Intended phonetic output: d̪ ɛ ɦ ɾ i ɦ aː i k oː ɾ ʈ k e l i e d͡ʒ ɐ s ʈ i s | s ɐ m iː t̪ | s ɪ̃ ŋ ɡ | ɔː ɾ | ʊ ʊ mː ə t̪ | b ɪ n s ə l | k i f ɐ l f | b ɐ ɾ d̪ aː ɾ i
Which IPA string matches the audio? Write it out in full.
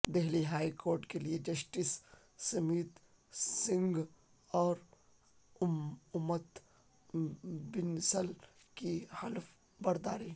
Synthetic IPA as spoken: d̪ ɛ ɦ l i ɦ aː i k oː ɾ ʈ k e l i e d͡ʒ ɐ s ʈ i s | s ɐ m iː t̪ | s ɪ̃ ŋ ɡ | ɔː ɾ | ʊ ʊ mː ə t̪ | b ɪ n s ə l | k i h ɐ l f | b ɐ ɾ d̪ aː ɾ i